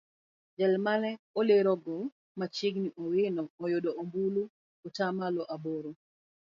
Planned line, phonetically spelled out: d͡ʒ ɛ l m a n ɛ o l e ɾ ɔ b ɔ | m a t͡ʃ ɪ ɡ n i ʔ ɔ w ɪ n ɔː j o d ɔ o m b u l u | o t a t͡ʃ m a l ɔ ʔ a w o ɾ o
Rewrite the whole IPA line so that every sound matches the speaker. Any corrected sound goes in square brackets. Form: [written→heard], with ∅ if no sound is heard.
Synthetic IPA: d͡ʒ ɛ l m a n ɛ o l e ɾ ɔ [b→ɡ] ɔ | m a t͡ʃ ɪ ɡ n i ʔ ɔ w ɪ n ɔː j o d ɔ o m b u l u | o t a [t͡ʃ→∅] m a l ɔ ʔ a [w→b] o ɾ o